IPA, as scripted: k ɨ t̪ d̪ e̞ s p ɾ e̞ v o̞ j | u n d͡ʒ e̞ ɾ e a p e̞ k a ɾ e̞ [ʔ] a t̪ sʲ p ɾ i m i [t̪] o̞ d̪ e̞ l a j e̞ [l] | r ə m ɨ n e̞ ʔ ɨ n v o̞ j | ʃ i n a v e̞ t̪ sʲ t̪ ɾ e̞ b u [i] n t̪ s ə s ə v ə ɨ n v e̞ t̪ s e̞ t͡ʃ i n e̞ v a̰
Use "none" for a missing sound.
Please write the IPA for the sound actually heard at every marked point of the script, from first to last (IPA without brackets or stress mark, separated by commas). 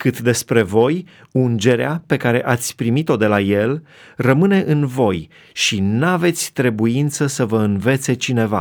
ʔ, t̪, l, i